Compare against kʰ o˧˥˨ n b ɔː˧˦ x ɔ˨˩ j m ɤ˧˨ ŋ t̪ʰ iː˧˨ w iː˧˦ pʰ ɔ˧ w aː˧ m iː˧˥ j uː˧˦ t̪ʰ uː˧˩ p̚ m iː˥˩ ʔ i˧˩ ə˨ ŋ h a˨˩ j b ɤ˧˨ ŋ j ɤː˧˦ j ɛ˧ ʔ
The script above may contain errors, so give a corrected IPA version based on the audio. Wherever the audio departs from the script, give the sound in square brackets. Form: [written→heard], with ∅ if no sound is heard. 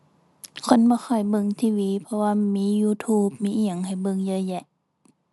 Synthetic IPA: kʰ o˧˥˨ n b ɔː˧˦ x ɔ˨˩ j [m→b] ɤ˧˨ ŋ t̪ʰ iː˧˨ w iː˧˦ pʰ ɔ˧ w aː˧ m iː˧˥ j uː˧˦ t̪ʰ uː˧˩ p̚ m [iː˥˩→iː˧˥] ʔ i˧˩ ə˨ ŋ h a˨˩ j b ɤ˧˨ ŋ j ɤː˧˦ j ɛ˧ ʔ